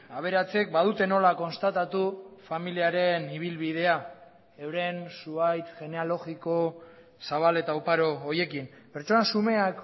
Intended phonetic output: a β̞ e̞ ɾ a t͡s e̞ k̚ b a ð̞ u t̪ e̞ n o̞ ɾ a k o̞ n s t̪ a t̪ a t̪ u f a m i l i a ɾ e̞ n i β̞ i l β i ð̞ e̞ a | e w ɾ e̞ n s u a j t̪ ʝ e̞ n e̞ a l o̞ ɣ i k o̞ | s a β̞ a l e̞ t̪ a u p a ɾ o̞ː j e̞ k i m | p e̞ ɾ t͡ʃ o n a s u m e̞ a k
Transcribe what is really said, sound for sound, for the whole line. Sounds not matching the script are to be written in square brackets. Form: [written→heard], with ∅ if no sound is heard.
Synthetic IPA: a β̞ e̞ ɾ a t͡s e̞ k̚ b a ð̞ u t̪ e̞ n o̞ [ɾ→l] a k o̞ n s t̪ a t̪ a t̪ u f a m i l i a ɾ e̞ n i β̞ i l β i ð̞ e̞ a | e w ɾ e̞ n s u a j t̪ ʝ e̞ n e̞ a l o̞ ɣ i k o̞ | s a β̞ a l e̞ t̪ a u p a ɾ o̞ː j e̞ k i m | p e̞ ɾ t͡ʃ o n a s u m e̞ a k